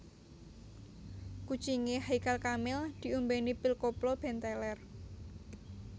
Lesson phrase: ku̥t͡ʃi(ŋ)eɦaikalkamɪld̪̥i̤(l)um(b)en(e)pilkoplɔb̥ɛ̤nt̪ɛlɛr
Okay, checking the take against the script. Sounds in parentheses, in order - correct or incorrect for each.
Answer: correct, incorrect, correct, incorrect

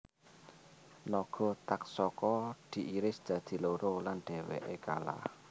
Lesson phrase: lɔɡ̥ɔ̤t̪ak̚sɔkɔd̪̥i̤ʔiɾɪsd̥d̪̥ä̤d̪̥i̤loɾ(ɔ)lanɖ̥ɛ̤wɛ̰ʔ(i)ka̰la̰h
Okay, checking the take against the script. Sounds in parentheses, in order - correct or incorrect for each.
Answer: incorrect, incorrect

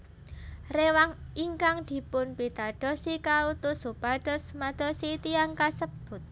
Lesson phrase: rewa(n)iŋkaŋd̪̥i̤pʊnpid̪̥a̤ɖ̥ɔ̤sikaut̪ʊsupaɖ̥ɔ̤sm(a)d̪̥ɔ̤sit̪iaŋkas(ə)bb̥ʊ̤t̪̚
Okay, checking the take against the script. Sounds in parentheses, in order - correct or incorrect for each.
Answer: incorrect, correct, correct

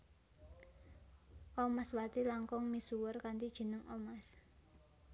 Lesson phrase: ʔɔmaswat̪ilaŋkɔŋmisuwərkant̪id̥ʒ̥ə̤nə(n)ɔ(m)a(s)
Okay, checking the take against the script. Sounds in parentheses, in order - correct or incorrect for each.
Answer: incorrect, correct, correct

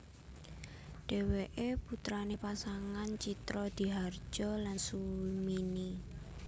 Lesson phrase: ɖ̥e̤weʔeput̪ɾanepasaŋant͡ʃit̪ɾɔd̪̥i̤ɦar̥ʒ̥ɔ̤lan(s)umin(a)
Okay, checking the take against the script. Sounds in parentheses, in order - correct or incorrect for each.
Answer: correct, incorrect

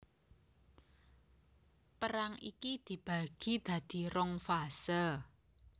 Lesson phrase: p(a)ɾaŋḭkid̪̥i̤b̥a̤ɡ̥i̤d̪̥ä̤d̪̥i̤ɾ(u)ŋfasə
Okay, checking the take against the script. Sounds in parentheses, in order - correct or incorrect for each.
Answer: incorrect, incorrect

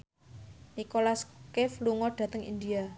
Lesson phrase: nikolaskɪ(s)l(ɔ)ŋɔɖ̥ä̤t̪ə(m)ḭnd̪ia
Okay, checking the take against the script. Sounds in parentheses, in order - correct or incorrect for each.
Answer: incorrect, incorrect, incorrect

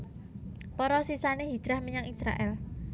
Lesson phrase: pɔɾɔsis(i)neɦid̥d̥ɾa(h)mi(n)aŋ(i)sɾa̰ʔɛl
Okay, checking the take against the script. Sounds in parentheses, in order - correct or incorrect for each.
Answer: incorrect, correct, incorrect, correct

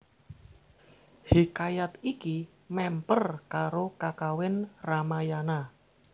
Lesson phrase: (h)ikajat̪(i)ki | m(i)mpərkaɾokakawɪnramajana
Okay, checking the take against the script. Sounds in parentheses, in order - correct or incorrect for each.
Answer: correct, correct, incorrect

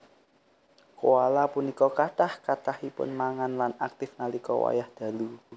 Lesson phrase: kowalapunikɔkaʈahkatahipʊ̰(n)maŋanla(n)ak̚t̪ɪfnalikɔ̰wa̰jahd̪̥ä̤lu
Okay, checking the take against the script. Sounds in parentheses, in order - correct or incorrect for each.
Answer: correct, correct

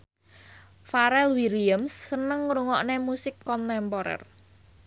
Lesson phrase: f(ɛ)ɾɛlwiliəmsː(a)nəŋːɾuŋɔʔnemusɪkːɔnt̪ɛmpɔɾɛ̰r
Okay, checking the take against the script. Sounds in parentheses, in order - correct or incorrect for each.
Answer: incorrect, incorrect

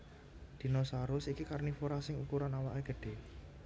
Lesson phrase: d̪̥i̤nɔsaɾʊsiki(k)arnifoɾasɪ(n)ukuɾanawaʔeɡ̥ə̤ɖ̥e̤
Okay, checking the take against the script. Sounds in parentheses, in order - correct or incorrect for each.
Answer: correct, incorrect

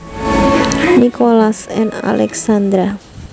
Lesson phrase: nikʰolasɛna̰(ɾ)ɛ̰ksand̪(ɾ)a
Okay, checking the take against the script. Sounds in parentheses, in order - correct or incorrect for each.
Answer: incorrect, correct

